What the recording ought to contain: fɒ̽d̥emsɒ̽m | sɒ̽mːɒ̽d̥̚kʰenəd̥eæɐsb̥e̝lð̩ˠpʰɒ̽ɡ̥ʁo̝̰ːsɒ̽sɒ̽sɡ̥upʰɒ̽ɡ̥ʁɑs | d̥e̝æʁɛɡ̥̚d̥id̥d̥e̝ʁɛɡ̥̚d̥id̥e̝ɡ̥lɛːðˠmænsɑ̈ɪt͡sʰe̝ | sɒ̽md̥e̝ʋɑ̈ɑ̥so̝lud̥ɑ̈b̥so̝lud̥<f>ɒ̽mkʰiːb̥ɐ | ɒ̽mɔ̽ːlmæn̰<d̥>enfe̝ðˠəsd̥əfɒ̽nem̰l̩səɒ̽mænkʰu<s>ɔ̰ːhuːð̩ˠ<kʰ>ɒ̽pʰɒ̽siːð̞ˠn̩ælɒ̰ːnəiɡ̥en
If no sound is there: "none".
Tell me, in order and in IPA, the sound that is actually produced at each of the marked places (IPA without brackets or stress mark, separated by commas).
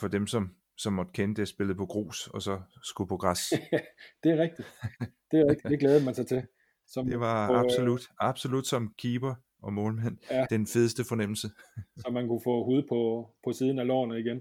s, d̥, f, pʰ